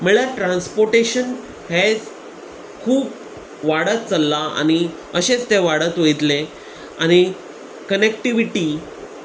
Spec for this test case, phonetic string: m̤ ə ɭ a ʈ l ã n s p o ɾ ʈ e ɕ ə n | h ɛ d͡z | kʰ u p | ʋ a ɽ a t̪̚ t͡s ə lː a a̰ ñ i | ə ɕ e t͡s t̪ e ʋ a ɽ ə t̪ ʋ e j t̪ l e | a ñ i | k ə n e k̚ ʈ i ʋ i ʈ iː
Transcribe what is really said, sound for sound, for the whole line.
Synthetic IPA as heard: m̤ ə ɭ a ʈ ɾ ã n s p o ɾ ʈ e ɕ ə n | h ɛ d͡z | kʰ uː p | ʋ a ɽ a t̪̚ t͡s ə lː a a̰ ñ i | ə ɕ e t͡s t̪ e ʋ a ɽ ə t̪ ʋ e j t̪ l e | a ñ i | k ə n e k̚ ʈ i ʋ i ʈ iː

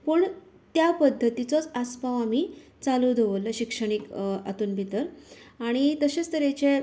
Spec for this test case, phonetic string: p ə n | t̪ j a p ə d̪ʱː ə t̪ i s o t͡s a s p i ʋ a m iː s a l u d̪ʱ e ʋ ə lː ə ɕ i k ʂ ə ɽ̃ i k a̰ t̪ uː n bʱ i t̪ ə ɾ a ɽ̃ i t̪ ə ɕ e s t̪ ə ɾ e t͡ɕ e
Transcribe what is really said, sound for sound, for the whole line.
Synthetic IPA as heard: p ə ɳ | t̪ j a p ə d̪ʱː ə t̪ i t͡s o t͡s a s p a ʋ a m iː t͡s a l u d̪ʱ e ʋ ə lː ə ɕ i k ʂ ə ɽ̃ i k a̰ t̪ uː n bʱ i t̪ ə ɾ a ɽ̃ i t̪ ə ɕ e s t̪ ə ɾ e t͡ɕ e

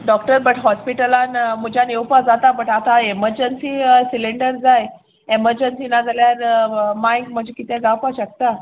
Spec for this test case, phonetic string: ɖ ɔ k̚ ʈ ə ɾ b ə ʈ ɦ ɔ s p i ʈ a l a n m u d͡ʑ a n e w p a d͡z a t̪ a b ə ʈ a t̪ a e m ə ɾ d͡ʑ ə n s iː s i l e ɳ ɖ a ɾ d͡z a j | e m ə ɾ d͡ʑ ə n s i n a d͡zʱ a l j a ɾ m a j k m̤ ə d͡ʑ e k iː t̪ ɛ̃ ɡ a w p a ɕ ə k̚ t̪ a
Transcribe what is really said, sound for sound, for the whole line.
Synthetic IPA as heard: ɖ ɔ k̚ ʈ ə ɾ b ə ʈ ɦ ɔ s p i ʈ ə l a n m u d͡ʑ a n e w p a d͡z a t̪ a b ə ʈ a t̪ a e m ə ɾ d͡ʑ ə n s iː s i l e ɳ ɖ ə ɾ d͡z a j | e m ə ɾ d͡ʑ ə n s i n a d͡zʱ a l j a ɾ m a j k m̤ ə d͡ʑ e k i t̪ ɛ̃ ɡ a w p a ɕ ə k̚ t̪ a

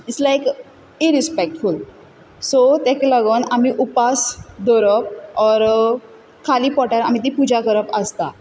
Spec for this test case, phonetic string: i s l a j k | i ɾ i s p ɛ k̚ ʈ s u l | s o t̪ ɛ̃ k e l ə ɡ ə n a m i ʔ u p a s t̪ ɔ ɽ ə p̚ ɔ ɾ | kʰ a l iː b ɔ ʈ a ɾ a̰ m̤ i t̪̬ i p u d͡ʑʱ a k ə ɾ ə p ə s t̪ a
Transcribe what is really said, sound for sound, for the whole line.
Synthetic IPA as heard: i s l a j k | i ɾ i s p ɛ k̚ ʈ f u l | s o t̪ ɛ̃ k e l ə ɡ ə n a m i ʔ u p a s d̪ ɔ ɾ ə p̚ ɔ ɾ | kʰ a l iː p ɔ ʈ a ɾ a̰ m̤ i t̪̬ i p u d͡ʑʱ a k ə ɾ ə p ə s t̪ a

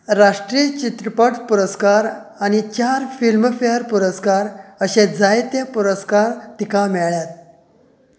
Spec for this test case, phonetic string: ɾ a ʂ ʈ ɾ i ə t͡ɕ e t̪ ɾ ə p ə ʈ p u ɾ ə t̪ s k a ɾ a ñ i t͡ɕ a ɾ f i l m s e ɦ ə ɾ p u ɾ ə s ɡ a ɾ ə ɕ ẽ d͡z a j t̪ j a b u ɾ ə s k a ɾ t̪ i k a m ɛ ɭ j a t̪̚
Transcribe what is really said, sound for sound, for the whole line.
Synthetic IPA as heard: ɾ a ʂ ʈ ɾ i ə t͡ɕ i t̪ ɾ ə p ə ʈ p u ɾ ə s k a ɾ a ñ i t͡ɕ a ɾ f i l m f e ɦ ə ɾ p u ɾ ə s k a ɾ ə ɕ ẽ d͡z a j t̪ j a p u ɾ ə s k a ɾ t̪ i k a m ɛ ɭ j a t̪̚

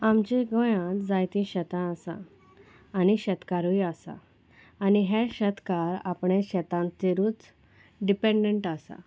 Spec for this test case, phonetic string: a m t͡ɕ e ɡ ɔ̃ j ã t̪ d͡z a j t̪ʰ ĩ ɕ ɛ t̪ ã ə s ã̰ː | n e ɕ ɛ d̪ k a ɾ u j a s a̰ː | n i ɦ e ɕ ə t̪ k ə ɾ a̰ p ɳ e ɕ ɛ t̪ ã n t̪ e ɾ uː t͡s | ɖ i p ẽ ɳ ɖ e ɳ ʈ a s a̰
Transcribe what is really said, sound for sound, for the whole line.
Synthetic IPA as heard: a m t͡ɕ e ɡ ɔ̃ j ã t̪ d͡z a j t̪ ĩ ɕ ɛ t̪ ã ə s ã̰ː | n i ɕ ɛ t̪ k a ɾ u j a s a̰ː | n i ɦ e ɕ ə t̪ k a ɾ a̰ p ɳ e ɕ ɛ t̪ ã n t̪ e ɾ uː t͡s | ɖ i p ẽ ɳ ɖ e ɳ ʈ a s a̰

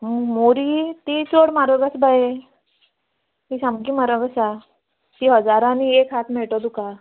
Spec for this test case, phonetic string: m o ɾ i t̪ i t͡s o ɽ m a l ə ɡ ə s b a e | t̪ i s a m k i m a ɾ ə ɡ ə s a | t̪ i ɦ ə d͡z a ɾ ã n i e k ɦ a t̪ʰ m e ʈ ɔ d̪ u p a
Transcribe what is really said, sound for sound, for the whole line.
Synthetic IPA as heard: m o ɾ i t̪ i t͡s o ɽ m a ɾ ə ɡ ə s b a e | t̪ i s a m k i m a ɾ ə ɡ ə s a | t̪ i ɦ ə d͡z a ɾ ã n i e k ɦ a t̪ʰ m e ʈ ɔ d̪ u k a

